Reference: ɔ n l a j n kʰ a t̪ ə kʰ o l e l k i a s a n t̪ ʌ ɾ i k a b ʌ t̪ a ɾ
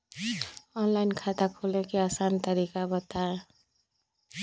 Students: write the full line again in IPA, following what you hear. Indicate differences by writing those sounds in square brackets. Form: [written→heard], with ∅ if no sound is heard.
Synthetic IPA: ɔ n l a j n kʰ a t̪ [ə→a] kʰ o l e [l→∅] k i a s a n t̪ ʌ ɾ i k a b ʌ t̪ a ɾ